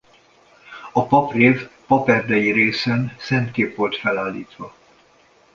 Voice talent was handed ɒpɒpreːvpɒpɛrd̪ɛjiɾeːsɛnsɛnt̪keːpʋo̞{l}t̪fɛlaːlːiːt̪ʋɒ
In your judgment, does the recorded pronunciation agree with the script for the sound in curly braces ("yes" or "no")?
yes